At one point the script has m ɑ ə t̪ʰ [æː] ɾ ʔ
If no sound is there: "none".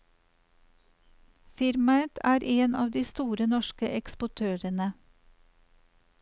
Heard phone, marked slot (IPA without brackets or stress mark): æː